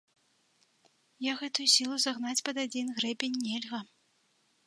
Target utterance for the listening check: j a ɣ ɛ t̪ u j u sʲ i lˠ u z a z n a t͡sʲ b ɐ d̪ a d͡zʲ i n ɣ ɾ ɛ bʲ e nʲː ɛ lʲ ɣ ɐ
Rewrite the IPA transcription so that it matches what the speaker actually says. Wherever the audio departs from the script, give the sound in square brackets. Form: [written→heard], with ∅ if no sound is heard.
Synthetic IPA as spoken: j a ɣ ɛ t̪ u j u sʲ i lˠ u z a [z→ɣ] n a t͡sʲ [b→p] ɐ d̪ a d͡zʲ i n ɣ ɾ ɛ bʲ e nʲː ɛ lʲ ɣ ɐ

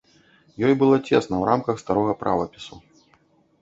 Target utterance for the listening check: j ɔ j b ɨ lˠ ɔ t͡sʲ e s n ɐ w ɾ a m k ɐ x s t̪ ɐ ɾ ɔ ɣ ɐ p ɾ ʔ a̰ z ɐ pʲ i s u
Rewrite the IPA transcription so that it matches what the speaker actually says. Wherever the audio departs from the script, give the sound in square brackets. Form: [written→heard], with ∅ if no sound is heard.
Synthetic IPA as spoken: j ɔ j b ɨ lˠ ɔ t͡sʲ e s n ɐ w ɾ a m k ɐ x s t̪ [ɐ→a] ɾ ɔ ɣ ɐ p ɾ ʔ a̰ [z→v] ɐ pʲ i s u

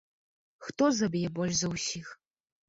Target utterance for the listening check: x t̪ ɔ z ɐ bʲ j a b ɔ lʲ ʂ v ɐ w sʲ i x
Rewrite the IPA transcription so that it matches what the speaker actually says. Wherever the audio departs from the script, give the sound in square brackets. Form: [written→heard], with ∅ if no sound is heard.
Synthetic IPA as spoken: x t̪ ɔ z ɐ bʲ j [a→ɛ] b ɔ lʲ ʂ [v→z] ɐ w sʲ i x

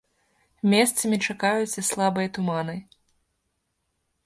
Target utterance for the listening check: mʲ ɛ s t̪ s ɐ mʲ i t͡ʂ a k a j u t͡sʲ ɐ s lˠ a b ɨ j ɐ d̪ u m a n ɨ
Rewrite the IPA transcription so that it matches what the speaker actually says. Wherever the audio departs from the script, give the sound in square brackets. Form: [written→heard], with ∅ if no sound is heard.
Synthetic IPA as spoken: mʲ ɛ s t̪ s ɐ mʲ i t͡ʂ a k a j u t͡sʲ ɐ s lˠ a b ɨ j ɐ [d̪→t̪] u m a n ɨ

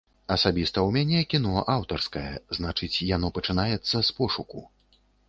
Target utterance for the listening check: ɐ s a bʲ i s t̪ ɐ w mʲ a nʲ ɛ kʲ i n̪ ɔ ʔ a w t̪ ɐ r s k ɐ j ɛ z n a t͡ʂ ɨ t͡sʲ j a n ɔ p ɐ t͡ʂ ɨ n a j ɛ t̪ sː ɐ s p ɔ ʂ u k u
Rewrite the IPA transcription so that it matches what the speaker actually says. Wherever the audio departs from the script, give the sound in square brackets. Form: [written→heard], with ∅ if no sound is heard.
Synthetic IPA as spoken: ɐ s a bʲ i s t̪ ɐ w mʲ a nʲ ɛ kʲ i n̪ ɔ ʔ a w t̪ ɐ r s k ɐ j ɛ z n a t͡ʂ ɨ t͡sʲ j a n ɔ p ɐ t͡ʂ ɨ n a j ɛ t̪ sː ɐ s p ɔ ʂ u k u

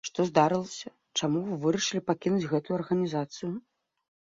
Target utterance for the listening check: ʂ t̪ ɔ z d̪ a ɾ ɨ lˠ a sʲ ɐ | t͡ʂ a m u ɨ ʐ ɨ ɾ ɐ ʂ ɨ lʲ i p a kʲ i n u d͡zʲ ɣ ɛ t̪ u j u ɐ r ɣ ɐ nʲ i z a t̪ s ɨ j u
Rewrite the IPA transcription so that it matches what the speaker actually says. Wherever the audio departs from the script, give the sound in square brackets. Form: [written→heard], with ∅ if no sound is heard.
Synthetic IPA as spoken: ʂ t̪ ɔ z d̪ a ɾ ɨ lˠ [a→ɐ] sʲ ɐ | t͡ʂ a m u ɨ [ʐ→v] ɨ ɾ ɐ ʂ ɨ lʲ i p a kʲ i n u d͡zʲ ɣ ɛ t̪ u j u ɐ r ɣ ɐ nʲ i z a t̪ s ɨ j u

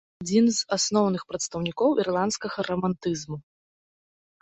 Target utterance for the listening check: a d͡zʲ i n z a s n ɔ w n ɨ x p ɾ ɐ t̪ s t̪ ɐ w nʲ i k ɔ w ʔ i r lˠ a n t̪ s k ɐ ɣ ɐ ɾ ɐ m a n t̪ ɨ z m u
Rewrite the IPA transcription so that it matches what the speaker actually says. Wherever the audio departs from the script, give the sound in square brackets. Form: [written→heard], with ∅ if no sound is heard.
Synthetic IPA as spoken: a d͡zʲ i n z a s n ɔ w n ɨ x p ɾ ɐ t̪ s t̪ ɐ w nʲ i k ɔ w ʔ i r lˠ a n t̪ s k ɐ ɣ ɐ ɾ ɐ m a n t̪ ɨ z m u

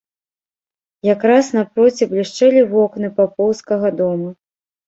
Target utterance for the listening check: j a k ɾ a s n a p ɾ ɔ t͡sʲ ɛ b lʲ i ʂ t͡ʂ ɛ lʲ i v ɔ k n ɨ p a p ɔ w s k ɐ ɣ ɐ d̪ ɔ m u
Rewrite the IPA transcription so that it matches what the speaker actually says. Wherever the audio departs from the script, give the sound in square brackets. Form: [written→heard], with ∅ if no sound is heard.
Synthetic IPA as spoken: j a k ɾ a s n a p ɾ ɔ t͡sʲ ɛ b lʲ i ʂ t͡ʂ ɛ lʲ i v ɔ k n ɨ p a p ɔ w s k ɐ ɣ ɐ d̪ ɔ m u

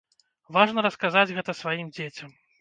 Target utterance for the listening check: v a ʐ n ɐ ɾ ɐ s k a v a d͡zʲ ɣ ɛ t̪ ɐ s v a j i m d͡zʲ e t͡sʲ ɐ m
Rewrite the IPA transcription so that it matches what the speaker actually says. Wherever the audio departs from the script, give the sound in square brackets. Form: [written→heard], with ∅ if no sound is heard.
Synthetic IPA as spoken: v a ʐ n ɐ ɾ ɐ s k a [v→z] a d͡zʲ ɣ ɛ t̪ ɐ s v a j i m d͡zʲ e t͡sʲ ɐ m

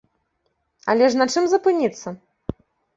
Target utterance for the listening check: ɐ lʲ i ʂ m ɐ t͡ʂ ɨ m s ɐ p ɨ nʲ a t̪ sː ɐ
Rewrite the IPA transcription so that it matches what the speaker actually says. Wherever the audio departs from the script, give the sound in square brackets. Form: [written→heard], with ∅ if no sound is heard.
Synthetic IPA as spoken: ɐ lʲ [i→ɛ] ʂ [m→n] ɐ t͡ʂ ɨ m [s→z] ɐ p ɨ nʲ [a→i] t̪ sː ɐ

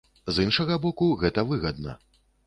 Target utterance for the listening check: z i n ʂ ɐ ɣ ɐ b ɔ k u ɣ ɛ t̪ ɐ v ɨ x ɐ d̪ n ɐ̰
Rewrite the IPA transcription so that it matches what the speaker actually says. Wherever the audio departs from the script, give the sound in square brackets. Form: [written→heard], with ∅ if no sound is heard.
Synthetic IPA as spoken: z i n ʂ ɐ ɣ ɐ b ɔ k u ɣ ɛ t̪ ɐ v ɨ [x→ɣ] ɐ d̪ n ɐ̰

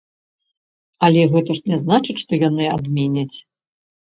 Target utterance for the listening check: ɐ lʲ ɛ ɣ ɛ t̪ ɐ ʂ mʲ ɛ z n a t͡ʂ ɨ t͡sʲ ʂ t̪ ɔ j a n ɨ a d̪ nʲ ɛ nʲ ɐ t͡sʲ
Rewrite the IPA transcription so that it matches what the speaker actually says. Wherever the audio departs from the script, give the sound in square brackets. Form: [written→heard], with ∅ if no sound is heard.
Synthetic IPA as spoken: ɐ lʲ ɛ ɣ ɛ t̪ ɐ ʂ [mʲ→nʲ] ɛ z n a t͡ʂ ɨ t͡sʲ ʂ t̪ ɔ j a n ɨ a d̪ [nʲ→mʲ] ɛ nʲ ɐ t͡sʲ

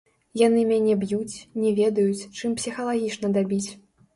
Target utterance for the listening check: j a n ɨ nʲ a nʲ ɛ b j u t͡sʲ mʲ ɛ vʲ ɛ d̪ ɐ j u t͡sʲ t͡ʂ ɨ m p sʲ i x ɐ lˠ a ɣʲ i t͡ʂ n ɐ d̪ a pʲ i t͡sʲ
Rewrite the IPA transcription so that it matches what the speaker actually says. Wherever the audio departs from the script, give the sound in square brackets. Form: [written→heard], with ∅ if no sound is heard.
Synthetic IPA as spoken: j a n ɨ [nʲ→mʲ] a nʲ ɛ b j u t͡sʲ [mʲ→nʲ] ɛ vʲ ɛ d̪ ɐ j u t͡sʲ t͡ʂ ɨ m p sʲ i x ɐ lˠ a ɣʲ i t͡ʂ n ɐ d̪ a [pʲ→bʲ] i t͡sʲ

